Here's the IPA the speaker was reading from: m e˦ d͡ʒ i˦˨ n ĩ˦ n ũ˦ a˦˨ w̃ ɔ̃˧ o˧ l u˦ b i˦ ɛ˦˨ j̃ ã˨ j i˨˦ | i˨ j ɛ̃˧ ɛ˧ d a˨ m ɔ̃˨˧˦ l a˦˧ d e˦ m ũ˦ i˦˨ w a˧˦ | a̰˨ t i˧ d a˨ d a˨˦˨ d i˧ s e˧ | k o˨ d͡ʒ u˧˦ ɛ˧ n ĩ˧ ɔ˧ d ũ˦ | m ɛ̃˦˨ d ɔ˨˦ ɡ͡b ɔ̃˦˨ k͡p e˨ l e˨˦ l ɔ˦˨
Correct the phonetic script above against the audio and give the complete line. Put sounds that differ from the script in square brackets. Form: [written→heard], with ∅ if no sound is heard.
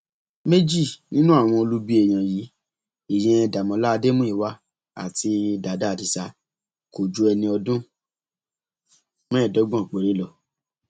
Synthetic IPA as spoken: m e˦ d͡ʒ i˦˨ n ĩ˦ n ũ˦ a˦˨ w̃ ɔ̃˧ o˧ l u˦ b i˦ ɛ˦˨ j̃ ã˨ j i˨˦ | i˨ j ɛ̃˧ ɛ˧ d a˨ m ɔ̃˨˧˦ l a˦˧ d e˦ m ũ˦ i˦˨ w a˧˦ | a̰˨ t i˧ d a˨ d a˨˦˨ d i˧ s [e˧→a˧] | k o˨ d͡ʒ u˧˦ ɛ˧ n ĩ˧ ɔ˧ d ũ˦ | m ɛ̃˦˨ d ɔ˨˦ ɡ͡b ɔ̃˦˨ k͡p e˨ [l→ɾ] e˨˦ l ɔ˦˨